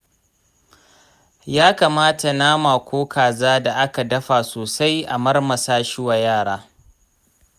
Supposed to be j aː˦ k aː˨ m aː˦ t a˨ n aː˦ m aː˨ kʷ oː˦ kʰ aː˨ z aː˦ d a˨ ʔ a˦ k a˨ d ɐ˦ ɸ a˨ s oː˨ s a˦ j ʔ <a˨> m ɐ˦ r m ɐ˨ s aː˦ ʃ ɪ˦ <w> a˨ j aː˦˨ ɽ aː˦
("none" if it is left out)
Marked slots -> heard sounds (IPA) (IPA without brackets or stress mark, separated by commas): a˨, w